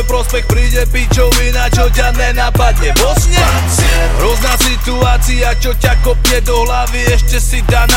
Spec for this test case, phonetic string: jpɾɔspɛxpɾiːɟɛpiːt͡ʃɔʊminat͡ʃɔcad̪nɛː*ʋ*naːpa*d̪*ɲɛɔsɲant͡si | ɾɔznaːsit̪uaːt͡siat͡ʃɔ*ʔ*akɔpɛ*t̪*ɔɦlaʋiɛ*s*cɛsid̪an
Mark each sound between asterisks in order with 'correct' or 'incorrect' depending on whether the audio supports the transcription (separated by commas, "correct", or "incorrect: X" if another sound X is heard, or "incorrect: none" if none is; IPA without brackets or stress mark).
incorrect: none, correct, incorrect: c, incorrect: d̪, incorrect: ʃ